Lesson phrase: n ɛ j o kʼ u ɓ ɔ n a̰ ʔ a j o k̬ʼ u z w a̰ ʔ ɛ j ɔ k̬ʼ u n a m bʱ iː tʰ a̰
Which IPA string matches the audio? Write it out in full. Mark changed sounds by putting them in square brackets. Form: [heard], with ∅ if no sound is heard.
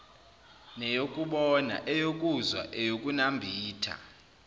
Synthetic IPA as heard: n ɛ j o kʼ u ɓ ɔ n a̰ ʔ [ɛ] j o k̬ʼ u z w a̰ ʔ ɛ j [o] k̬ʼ u n a m bʱ iː tʰ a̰